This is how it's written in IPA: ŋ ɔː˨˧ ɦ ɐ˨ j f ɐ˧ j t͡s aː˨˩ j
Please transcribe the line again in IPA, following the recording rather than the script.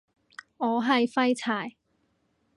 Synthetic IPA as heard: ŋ ɔː˨˧ ɦ ɐ˨ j f ɐ˥ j t͡sʰ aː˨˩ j